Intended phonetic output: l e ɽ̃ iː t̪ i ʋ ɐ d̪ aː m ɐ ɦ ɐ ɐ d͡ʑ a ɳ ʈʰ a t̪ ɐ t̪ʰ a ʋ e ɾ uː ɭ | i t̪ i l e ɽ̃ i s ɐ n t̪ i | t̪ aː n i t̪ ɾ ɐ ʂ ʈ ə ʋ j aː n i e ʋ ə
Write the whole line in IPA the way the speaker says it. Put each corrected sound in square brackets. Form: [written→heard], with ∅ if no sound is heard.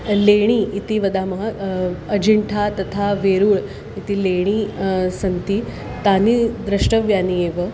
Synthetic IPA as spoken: l e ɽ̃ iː t̪ i ʋ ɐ d̪ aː m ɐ ɦ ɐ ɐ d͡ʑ [a→i] ɳ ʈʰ a t̪ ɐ t̪ʰ a ʋ e ɾ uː ɭ | i t̪ i l e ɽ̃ i s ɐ n t̪ i | t̪ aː n i [t̪→d̪] ɾ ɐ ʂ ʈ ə ʋ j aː n i e ʋ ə